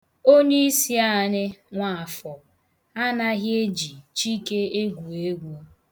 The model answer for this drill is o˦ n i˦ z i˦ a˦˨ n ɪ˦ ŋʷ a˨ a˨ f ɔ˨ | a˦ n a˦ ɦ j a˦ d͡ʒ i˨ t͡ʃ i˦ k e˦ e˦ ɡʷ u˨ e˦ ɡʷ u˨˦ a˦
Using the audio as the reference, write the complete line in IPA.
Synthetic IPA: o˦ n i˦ s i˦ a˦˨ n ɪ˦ ŋʷ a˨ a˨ f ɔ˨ | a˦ n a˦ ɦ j e˦ d͡ʒ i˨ t͡ʃ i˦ k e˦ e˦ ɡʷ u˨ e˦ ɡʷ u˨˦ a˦